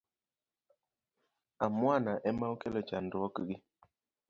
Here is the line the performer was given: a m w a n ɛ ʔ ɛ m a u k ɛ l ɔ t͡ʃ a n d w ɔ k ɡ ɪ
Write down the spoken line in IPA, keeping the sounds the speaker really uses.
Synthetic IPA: a m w a n a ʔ ɛ m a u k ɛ l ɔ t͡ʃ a n d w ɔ k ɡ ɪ